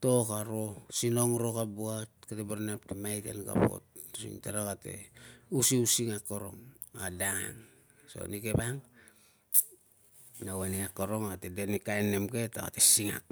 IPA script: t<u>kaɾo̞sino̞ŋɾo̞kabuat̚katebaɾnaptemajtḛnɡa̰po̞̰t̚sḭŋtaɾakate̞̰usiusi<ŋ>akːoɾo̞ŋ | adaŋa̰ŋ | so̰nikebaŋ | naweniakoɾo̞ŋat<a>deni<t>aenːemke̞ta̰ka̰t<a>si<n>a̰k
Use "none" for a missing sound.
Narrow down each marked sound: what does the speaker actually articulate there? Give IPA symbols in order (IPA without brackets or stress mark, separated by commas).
o, ŋ, e, k, e, ŋ